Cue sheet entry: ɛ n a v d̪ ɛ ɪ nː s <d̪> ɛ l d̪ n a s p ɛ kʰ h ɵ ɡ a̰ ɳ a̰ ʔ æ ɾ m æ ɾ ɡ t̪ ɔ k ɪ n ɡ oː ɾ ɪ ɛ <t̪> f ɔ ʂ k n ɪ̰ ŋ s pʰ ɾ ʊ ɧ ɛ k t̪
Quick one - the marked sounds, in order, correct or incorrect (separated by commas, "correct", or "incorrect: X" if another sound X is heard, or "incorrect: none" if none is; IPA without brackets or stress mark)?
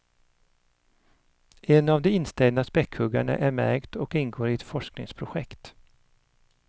incorrect: t̪, correct